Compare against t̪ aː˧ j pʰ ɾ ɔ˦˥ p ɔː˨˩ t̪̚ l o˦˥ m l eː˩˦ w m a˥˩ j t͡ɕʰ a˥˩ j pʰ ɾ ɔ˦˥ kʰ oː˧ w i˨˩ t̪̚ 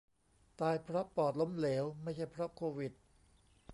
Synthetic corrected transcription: t̪ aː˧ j pʰ ɾ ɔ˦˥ p ɔː˨˩ t̪̚ l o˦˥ m l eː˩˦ w m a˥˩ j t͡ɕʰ a˥˩ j pʰ ɾ ɔ˦˥ kʰ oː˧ w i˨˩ t̪̚